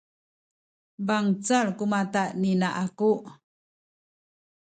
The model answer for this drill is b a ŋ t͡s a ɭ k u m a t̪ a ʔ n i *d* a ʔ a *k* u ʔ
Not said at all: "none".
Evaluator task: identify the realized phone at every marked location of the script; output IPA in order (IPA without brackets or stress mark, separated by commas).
n, k